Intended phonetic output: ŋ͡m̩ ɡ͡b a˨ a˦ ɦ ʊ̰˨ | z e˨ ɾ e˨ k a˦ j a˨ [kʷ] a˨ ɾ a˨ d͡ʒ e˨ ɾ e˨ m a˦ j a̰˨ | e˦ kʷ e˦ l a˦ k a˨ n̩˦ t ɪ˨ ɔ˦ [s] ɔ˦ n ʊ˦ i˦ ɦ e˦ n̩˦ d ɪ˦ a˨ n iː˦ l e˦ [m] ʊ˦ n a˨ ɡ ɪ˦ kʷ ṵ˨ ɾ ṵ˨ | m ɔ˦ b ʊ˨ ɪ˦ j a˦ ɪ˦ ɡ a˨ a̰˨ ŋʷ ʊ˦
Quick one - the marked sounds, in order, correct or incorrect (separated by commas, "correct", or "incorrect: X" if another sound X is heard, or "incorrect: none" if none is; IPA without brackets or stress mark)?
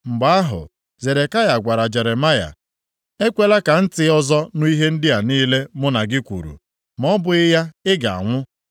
incorrect: ɡʷ, incorrect: z, correct